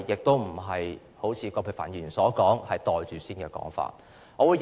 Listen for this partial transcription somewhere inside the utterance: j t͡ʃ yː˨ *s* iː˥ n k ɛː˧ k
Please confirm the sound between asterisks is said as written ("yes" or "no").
yes